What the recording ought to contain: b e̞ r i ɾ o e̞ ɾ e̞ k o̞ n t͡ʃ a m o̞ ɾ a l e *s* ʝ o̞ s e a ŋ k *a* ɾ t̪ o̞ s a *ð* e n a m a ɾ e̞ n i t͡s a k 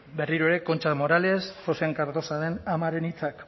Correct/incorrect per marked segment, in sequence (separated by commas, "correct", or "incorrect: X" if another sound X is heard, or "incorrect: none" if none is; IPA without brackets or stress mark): correct, correct, correct